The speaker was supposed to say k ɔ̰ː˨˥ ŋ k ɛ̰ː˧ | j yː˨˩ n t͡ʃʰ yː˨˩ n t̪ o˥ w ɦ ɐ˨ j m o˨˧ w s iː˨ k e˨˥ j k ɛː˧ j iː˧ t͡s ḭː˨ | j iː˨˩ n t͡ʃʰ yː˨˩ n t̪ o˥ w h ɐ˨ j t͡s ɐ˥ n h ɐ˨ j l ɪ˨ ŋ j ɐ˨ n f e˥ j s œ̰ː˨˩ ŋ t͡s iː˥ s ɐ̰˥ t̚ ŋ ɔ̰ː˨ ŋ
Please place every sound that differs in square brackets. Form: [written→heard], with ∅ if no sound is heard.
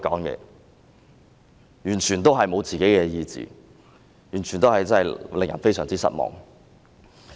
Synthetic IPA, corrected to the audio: k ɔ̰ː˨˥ ŋ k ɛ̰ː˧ | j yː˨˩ n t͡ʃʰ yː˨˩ n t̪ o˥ w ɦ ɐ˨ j m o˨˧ w [s→t͡s] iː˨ k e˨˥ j k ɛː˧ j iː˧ t͡s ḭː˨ | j [iː˨˩→yː˨˩] n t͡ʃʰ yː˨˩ n t̪ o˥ w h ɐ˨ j t͡s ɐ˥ n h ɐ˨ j l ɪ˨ ŋ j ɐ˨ n f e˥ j s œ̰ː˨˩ ŋ t͡s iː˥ s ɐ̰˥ t̚ [ŋ→m] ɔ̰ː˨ ŋ